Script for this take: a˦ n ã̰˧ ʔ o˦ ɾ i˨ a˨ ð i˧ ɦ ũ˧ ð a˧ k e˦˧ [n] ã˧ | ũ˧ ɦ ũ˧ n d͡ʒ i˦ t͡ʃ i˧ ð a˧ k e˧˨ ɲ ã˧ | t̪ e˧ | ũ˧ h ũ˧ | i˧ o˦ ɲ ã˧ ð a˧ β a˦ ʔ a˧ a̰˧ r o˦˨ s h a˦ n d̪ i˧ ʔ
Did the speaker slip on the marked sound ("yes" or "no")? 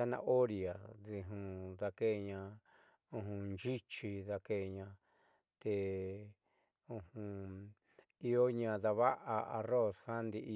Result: yes